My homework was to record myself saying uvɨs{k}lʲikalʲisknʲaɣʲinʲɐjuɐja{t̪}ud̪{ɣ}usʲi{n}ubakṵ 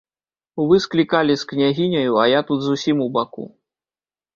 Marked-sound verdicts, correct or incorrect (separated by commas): correct, correct, incorrect, incorrect